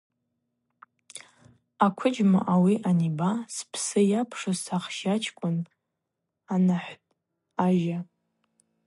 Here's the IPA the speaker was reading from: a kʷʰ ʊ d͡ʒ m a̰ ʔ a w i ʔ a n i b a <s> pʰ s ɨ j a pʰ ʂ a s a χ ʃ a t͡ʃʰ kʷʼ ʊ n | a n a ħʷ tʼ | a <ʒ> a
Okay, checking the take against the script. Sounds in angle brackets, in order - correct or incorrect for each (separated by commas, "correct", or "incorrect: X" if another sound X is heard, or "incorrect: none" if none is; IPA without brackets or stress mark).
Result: correct, correct